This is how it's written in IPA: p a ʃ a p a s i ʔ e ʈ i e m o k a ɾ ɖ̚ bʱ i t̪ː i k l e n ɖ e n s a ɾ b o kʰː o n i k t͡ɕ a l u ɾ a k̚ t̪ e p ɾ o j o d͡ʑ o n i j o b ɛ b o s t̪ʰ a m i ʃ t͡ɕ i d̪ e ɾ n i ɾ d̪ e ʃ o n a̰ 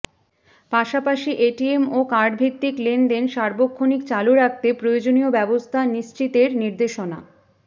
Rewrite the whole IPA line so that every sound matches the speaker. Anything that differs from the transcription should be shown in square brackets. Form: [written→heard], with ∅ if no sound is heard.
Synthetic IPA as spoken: p a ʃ a p a [s→ʃ] i ʔ e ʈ i e m o k a ɾ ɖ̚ bʱ i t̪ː i k l e n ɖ e n [s→ʃ] a ɾ b o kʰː o n i k t͡ɕ a l u ɾ a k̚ t̪ e p ɾ o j o d͡ʑ o n i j o b ɛ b o s t̪ʰ a [m→n] i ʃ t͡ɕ i [d̪→t̪] e ɾ n i ɾ d̪ e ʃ o n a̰